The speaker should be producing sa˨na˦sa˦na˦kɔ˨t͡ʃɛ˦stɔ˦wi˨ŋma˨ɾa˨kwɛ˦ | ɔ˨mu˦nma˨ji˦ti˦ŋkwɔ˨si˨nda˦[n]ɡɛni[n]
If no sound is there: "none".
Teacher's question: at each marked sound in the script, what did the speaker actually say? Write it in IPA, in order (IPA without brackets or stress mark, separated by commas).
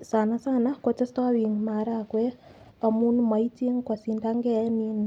ŋ, n